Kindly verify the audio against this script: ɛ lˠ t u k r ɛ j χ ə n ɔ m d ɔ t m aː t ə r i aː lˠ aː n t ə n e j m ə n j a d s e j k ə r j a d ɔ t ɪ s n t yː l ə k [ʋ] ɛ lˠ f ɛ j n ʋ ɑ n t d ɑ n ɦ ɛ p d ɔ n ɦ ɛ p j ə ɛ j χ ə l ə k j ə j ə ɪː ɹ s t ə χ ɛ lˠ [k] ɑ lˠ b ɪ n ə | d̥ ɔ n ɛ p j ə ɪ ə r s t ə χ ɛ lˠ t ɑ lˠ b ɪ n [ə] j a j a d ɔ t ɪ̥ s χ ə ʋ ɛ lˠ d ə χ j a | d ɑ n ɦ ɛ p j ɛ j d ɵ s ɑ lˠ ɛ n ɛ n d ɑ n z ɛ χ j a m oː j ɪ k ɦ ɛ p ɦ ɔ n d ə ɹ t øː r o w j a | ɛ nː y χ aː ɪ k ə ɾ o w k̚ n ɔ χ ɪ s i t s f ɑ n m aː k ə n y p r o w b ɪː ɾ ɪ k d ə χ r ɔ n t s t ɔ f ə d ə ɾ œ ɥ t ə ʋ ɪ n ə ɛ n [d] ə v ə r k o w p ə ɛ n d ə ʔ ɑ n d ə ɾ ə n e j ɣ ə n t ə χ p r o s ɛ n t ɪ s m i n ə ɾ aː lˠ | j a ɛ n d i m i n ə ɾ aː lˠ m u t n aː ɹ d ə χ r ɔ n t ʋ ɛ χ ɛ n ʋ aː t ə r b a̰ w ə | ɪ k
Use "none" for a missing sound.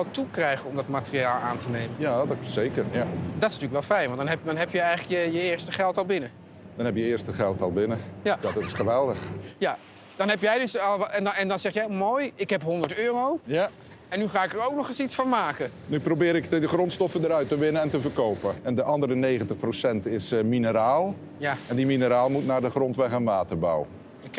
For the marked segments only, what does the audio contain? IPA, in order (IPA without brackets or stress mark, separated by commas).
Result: ʋ, t, ə, t